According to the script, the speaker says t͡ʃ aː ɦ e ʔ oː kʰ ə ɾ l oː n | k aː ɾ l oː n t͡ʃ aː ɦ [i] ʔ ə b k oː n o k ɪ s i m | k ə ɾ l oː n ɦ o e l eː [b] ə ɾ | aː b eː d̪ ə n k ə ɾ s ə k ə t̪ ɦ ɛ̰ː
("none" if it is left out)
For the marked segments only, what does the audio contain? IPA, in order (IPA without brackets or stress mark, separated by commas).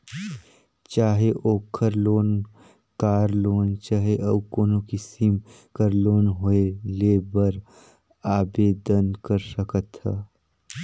e, b